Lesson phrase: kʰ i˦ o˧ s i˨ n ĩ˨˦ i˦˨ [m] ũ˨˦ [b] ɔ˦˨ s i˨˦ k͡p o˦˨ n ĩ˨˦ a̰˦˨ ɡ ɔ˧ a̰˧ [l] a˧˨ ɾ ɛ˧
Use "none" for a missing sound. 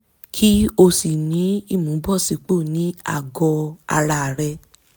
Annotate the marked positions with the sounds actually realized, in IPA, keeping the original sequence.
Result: m, b, ɾ

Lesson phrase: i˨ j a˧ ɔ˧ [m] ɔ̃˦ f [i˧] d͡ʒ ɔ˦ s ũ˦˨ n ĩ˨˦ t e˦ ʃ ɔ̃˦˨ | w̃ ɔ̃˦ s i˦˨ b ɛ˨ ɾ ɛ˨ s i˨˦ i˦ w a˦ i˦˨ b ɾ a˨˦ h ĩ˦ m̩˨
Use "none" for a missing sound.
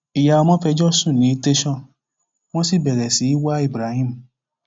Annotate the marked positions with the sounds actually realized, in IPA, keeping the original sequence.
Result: m, ɛ˧

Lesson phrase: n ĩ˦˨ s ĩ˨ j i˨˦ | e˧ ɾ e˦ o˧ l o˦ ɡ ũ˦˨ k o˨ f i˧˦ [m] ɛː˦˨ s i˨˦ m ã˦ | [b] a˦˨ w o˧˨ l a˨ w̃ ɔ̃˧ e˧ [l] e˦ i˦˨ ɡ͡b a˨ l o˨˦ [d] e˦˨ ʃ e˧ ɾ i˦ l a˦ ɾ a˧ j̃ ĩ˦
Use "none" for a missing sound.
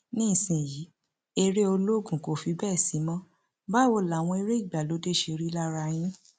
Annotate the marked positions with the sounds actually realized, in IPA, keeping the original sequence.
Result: b, b, ɾ, d

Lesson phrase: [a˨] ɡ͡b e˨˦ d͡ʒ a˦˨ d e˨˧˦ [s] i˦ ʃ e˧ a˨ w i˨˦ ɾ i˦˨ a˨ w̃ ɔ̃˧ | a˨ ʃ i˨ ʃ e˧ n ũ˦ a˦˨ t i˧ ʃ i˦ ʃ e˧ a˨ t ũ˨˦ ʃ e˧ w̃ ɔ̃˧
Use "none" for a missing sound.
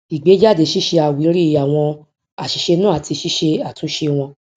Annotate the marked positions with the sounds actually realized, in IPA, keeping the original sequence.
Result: i˨, ʃ

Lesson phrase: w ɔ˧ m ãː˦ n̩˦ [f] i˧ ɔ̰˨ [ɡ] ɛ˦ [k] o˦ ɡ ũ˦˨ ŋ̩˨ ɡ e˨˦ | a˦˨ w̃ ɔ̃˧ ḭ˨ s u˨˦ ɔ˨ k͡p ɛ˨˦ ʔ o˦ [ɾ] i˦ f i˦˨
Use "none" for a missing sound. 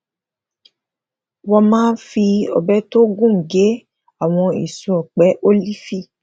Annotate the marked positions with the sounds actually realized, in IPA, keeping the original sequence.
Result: f, b, t, l

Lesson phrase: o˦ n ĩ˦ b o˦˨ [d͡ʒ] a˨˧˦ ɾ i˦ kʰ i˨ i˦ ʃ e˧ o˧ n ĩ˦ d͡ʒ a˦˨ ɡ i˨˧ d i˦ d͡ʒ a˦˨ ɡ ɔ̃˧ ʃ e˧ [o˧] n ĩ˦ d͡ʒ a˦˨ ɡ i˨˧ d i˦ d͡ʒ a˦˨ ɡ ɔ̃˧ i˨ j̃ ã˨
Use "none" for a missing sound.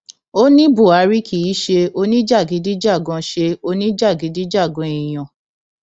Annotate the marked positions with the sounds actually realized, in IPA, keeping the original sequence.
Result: none, o˧

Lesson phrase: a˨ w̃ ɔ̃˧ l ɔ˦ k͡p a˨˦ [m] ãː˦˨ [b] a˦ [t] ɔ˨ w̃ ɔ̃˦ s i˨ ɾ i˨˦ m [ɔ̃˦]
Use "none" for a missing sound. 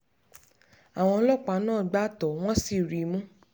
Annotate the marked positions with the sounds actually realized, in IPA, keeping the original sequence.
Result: n, ɡ͡b, t, ũ˦

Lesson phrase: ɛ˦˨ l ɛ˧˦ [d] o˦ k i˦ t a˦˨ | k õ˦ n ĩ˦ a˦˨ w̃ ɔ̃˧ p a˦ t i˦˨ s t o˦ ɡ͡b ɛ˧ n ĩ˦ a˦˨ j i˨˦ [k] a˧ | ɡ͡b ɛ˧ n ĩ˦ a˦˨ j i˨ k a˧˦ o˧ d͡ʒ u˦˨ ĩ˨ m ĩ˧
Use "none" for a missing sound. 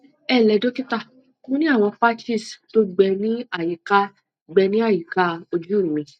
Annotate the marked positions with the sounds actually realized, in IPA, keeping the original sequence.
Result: d, k

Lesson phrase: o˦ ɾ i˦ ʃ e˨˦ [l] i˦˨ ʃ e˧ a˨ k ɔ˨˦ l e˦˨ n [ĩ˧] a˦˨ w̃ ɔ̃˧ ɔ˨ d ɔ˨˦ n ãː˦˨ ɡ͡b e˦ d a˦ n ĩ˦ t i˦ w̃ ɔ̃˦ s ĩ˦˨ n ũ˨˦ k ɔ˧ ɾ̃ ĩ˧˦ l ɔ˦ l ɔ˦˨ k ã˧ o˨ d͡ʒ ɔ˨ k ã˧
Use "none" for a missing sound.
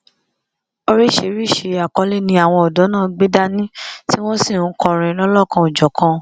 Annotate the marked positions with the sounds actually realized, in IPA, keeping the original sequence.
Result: ɾ, ĩ˧

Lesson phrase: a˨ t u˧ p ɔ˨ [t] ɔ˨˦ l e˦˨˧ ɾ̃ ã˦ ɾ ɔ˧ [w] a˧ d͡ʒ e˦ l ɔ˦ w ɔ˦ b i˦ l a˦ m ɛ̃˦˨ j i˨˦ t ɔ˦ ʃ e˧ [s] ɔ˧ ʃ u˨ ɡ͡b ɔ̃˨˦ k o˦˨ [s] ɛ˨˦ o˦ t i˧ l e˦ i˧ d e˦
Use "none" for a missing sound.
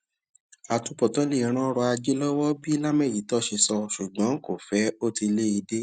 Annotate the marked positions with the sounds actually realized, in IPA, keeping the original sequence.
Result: t, none, s, f

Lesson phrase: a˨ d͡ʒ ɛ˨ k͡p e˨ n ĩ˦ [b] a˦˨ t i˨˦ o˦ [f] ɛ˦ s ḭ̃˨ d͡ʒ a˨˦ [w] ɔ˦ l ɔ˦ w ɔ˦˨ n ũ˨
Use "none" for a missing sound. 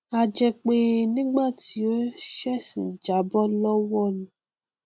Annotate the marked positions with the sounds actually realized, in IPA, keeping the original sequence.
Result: ɡ͡b, ʃ, b

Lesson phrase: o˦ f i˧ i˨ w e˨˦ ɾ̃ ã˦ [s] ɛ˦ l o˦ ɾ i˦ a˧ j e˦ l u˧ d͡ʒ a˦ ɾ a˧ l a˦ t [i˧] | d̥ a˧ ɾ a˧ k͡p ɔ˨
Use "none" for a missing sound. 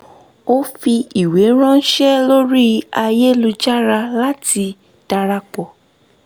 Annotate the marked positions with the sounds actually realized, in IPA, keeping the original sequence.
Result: ʃ, i˧

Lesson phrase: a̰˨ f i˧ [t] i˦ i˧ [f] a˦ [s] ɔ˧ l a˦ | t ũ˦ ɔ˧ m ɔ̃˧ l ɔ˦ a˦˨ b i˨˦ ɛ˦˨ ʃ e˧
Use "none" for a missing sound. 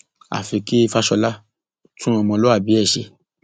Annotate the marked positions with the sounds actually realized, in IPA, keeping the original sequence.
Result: k, f, ʃ

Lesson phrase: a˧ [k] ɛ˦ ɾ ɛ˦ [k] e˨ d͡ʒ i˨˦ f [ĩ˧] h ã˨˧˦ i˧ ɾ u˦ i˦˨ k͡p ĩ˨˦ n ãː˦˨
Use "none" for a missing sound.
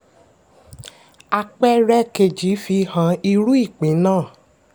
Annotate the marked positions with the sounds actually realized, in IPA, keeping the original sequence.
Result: k͡p, k, i˧

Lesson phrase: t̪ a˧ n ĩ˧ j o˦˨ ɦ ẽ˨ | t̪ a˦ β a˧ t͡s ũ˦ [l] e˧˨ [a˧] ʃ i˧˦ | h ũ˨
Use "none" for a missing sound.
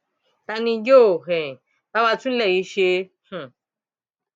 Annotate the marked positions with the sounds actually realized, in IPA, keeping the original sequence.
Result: l, i˧

